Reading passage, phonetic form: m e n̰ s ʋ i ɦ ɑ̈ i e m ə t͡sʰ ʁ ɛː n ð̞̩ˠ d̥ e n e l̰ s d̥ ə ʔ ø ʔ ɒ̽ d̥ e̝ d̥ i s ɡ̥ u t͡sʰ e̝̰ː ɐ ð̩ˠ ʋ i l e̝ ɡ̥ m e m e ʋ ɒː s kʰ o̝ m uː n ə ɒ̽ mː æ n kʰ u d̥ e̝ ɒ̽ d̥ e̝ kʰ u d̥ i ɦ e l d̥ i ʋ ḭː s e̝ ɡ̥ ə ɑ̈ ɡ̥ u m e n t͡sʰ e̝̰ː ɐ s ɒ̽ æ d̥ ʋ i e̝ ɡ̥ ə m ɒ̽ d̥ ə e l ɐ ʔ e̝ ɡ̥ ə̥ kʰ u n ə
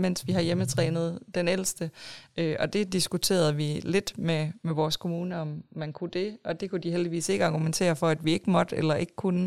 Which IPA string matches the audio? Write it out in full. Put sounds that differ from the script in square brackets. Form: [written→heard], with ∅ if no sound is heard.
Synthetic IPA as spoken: m e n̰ s ʋ i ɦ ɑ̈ [i→j] e m ə t͡sʰ ʁ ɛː n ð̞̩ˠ d̥ e n e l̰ s d̥ ə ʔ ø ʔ ɒ̽ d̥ e̝ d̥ i s ɡ̥ u t͡sʰ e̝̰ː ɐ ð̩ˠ ʋ i l e̝ [ɡ̥→d̥] m e m e ʋ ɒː s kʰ o̝ m uː n ə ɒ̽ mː æ n kʰ u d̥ e̝ ɒ̽ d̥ e̝ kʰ u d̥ i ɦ e l d̥ i ʋ ḭː s e̝ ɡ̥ ə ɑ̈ ɡ̥ u m e n t͡sʰ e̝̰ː ɐ [s→f] ɒ̽ æ d̥ ʋ i e̝ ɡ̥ ə m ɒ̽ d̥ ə e l ɐ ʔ e̝ ɡ̥ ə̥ kʰ u n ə